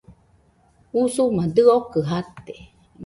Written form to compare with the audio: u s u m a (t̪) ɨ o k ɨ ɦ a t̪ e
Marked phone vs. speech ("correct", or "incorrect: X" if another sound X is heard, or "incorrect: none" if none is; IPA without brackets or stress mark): incorrect: d̪